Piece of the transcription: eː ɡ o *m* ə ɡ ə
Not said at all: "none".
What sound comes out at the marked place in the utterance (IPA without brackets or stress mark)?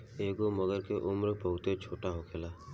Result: m